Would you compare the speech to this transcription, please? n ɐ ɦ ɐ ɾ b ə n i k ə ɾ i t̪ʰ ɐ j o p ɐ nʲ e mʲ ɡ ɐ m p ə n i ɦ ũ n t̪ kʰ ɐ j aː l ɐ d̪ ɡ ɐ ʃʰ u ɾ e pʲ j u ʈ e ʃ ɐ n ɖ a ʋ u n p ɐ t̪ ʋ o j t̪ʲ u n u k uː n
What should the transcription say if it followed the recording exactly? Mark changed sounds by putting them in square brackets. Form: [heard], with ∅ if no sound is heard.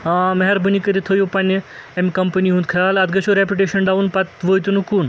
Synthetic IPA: [m] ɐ ɦ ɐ ɾ b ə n i k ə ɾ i t̪ʰ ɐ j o p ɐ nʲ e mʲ [k] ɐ m p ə n i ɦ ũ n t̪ kʰ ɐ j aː l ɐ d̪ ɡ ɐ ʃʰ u ɾ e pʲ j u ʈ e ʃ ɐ n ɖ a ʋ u n p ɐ t̪ ʋ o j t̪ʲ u n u k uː n